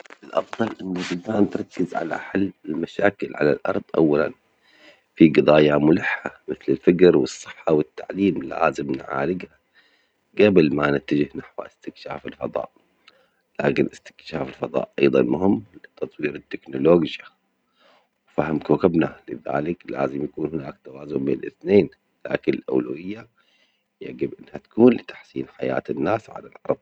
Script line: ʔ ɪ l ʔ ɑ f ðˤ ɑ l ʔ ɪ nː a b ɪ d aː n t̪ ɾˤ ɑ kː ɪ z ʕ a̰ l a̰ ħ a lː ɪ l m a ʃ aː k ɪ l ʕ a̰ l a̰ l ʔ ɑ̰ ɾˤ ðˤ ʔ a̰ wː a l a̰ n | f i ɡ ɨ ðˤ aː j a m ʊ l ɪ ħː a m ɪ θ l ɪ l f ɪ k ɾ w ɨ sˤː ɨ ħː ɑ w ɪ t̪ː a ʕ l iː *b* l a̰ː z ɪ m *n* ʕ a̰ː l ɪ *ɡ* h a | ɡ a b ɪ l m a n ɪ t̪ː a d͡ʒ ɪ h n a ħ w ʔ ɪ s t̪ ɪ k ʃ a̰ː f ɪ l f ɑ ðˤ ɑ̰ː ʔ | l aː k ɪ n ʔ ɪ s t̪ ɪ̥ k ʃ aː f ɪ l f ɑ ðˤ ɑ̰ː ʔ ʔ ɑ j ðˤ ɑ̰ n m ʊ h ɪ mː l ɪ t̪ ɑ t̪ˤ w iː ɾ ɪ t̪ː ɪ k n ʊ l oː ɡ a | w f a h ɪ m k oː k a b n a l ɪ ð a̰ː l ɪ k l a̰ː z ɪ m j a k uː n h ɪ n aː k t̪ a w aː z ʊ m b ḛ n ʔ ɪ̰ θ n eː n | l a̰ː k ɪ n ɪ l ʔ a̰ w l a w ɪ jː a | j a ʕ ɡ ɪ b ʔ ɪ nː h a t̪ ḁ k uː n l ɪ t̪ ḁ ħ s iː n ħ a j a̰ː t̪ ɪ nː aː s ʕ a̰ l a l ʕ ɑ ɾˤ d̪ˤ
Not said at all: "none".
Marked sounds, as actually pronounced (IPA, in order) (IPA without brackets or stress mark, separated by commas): m, n, ɡ